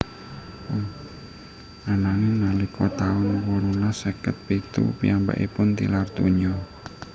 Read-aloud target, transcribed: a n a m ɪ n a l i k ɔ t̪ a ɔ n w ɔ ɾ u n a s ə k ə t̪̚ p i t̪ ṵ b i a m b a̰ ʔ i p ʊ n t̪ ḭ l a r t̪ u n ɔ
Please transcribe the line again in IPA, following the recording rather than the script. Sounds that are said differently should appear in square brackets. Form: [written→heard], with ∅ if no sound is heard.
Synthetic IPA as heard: a n a [m→ŋ] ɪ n a l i k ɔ t̪ a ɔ n w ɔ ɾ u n a s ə k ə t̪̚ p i t̪ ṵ [b→p] i a m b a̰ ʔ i p ʊ n t̪ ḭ l a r t̪ u [n→ɲ] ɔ